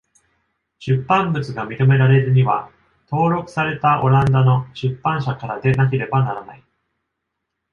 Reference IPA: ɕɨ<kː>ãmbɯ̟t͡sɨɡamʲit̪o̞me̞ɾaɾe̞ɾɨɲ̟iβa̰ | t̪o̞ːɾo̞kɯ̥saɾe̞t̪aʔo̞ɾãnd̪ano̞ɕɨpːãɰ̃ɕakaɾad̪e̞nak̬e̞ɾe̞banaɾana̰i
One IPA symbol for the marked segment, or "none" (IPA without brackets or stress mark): pː